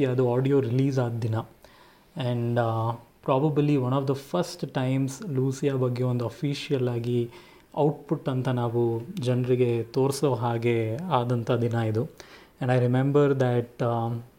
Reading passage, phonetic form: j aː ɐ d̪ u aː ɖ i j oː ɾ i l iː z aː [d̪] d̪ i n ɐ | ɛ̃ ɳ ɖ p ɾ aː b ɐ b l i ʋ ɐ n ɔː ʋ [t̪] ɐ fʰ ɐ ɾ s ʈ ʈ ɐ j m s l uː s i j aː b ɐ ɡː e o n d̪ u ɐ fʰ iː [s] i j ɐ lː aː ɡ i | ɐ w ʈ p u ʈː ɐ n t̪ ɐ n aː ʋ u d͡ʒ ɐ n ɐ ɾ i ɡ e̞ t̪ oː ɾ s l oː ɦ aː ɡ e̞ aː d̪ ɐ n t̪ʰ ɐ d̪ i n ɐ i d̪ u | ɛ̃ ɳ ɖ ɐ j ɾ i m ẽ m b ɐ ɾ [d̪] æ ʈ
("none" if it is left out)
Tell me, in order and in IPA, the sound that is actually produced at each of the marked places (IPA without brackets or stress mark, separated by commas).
d̪, d̪, ʃ, d̪